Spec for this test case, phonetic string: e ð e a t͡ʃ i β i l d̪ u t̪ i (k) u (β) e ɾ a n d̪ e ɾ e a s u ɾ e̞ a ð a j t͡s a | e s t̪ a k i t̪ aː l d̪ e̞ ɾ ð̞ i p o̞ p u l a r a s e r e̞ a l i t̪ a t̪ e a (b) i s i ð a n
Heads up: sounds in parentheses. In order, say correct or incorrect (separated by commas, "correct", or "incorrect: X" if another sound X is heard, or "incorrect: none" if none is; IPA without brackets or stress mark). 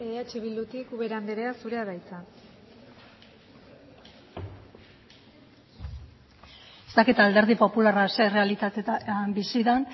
correct, correct, correct